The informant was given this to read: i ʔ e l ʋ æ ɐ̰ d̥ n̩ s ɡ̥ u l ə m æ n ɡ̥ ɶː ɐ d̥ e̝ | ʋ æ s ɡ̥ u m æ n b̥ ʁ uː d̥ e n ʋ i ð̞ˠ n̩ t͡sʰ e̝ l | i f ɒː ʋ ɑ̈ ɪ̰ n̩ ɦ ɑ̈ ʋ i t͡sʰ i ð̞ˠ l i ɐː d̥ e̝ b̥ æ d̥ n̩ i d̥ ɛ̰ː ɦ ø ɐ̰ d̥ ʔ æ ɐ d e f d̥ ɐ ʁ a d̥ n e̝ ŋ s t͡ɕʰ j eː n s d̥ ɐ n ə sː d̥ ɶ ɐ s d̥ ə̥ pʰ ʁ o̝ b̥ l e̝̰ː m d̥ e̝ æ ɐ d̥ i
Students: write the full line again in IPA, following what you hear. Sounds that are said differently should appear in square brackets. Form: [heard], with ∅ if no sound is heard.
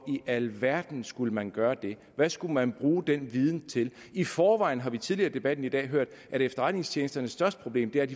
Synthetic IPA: i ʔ [æ] l ʋ æ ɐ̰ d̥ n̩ s ɡ̥ u l ə m æ n ɡ̥ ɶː ɐ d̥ e̝ | ʋ æ s ɡ̥ u m æ n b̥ ʁ uː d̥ e n ʋ i ð̞ˠ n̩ t͡sʰ e̝ l | i f ɒː ʋ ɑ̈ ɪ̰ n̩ ɦ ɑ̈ ʋ i t͡sʰ i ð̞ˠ l i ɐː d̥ e̝ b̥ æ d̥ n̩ i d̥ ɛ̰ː ɦ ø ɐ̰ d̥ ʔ æ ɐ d e f d̥ ɐ ʁ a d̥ n e̝ ŋ s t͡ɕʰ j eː n s d̥ ɐ n ə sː d̥ ɶ ɐ s d̥ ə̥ pʰ ʁ o̝ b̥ l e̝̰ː m d̥ e̝ æ ɐ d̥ i